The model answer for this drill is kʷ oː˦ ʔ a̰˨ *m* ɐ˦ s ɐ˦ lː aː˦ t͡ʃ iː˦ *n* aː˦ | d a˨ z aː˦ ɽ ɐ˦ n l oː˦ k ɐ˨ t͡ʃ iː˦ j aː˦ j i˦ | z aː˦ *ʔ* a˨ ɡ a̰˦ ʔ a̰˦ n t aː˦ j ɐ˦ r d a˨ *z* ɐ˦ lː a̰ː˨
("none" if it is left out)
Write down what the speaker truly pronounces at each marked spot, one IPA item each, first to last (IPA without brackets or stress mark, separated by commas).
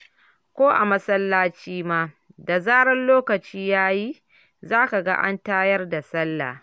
m, m, k, s